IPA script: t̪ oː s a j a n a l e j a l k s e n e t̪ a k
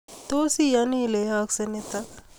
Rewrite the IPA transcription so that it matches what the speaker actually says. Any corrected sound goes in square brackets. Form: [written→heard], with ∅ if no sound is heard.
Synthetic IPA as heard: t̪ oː s [a→i] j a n [a→i] l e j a [l→∅] k s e n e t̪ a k